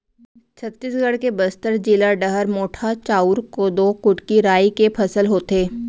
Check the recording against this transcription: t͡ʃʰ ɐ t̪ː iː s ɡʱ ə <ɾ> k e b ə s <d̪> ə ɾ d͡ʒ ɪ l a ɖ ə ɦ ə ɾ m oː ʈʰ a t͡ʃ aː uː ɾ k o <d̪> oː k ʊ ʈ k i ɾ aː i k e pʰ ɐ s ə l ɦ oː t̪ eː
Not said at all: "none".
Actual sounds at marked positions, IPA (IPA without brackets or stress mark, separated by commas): ɽ, t̪, d̪